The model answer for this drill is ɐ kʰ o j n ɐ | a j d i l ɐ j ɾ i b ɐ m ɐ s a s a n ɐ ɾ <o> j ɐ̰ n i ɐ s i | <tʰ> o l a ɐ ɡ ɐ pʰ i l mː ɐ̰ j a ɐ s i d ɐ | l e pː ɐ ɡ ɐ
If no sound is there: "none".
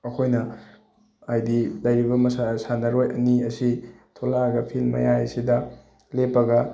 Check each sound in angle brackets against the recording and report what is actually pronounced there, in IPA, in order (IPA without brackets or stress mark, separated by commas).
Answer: o, tʰ